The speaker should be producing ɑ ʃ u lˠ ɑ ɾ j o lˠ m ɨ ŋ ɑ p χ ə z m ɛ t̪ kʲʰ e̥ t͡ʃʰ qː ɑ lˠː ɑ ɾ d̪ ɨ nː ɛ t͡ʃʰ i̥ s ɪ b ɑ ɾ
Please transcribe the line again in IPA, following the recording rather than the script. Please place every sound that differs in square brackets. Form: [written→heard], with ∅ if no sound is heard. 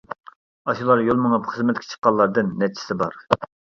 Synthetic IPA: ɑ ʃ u lˠ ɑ ɾ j o lˠ m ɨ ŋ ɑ p χ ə z m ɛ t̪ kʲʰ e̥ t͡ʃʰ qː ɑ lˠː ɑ ɾ d̪ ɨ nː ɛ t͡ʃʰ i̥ s ɪ b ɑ ɾ